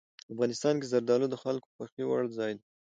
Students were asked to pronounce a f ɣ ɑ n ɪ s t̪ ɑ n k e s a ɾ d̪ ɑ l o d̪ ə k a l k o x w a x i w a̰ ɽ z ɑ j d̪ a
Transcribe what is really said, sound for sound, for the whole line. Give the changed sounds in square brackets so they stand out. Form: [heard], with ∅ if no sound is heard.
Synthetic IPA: a f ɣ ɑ n ɪ s t̪ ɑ n k e [z] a ɾ d̪ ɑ l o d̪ ə [x] a l k o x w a x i w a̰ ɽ z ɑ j d̪ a

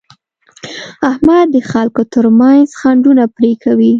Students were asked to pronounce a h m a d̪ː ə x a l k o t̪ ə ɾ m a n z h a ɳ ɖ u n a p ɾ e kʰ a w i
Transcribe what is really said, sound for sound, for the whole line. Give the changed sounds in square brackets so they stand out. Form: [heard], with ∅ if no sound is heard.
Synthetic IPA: a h m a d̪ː ə x a l k o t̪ ə ɾ m a n z [x] a ɳ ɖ u n a p ɾ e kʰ a w i

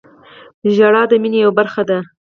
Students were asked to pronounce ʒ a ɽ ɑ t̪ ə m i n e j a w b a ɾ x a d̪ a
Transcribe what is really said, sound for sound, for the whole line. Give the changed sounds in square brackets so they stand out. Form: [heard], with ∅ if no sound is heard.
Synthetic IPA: ʒ a ɽ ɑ [d̪] ə m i n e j a w b a ɾ x a d̪ a

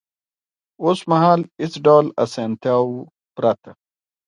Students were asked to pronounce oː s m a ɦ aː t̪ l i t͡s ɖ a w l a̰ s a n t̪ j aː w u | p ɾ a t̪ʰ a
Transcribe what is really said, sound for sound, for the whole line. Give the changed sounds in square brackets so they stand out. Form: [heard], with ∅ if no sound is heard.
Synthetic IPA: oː s m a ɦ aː [∅] l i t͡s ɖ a w l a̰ s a n t̪ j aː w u | p ɾ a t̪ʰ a

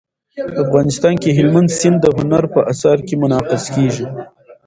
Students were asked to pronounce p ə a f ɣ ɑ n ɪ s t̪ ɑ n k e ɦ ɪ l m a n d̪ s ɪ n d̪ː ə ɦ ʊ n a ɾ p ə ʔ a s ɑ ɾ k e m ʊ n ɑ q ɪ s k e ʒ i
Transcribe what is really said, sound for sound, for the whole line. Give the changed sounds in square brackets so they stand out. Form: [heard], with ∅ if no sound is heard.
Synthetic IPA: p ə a f ɣ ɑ n ɪ s t̪ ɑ n k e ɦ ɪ l m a n d̪ s ɪ n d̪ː ə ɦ ʊ n a ɾ p ə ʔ a s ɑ ɾ k e m ʊ n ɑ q ɪ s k e ʒ i

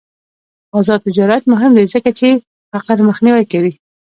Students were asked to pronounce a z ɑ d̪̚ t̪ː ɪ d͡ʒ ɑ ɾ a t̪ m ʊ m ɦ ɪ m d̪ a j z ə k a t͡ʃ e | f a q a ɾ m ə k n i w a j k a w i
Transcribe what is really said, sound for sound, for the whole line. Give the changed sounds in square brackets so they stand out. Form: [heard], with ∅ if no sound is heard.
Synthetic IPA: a z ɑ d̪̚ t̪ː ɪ d͡ʒ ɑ ɾ a t̪ m ʊ [∅] ɦ ɪ m d̪ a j z ə k a t͡ʃ e | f a q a ɾ m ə [x] n i w a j k a w i

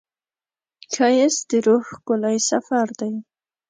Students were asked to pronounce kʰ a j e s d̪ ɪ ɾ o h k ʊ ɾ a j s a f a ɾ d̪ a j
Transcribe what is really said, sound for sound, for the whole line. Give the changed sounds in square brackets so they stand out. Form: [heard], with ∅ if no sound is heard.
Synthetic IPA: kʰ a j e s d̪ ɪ ɾ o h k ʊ [l] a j s a f a ɾ d̪ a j

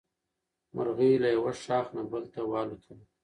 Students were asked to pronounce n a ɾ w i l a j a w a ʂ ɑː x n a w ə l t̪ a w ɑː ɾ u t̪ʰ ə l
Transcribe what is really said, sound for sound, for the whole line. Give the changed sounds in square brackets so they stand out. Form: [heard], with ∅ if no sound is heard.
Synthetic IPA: [m] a ɾ [ɣ] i l a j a w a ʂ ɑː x n a [b] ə l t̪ a w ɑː [l] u t̪ʰ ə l

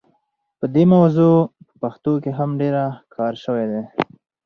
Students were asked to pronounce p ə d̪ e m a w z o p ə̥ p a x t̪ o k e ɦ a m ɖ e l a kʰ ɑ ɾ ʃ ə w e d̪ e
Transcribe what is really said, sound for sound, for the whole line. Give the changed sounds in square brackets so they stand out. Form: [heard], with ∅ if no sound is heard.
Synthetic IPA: p ə d̪ e m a w z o p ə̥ p a x t̪ o k e ɦ a m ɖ e [ɾ] a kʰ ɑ ɾ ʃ ə w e d̪ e

